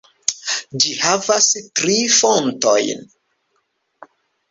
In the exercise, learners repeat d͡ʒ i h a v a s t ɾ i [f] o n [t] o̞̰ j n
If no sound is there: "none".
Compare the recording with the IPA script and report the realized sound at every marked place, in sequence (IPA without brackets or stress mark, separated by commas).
f, t